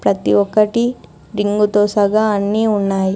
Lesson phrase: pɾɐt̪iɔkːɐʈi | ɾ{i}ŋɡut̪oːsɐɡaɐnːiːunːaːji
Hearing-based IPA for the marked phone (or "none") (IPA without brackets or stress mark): i